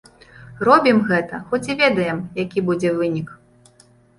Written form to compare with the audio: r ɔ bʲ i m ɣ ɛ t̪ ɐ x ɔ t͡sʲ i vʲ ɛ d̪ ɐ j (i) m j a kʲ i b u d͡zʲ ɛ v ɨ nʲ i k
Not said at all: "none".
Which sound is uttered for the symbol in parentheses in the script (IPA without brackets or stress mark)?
ɛ